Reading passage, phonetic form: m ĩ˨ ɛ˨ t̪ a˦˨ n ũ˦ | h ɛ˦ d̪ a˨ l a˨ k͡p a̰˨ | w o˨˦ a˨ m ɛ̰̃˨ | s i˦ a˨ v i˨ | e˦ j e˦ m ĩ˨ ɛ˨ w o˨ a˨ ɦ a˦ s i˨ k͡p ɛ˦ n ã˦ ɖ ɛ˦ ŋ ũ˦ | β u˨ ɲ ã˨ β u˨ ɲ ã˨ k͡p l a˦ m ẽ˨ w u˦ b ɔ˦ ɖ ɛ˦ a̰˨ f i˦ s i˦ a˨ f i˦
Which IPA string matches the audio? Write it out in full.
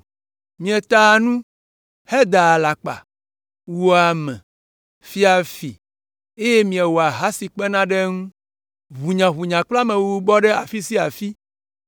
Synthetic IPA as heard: m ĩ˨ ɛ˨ t̪ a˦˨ n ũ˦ | h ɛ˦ d̪ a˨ l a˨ k͡p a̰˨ | w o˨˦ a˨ m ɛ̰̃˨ | f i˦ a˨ f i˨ | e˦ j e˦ m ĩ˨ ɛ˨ w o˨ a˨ ɦ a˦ s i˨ k͡p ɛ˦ n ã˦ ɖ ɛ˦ ŋ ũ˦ | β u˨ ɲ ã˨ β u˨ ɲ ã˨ k͡p l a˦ m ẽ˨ w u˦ b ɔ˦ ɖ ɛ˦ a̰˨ f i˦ s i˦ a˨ f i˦